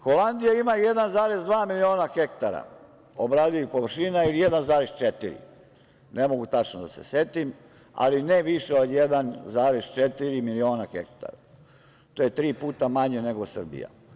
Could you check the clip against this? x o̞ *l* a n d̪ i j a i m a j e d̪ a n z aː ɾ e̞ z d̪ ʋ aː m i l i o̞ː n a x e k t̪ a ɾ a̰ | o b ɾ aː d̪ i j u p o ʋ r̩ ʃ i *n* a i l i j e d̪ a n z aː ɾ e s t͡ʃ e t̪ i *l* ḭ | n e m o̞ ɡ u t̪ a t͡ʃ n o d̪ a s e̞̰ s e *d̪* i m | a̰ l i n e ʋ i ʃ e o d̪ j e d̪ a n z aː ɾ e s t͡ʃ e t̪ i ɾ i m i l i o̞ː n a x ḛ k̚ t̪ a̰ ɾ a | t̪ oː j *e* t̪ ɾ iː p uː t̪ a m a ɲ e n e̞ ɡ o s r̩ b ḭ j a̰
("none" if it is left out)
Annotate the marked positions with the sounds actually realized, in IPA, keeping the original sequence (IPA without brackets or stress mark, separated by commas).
l, n, ɾ, t̪, e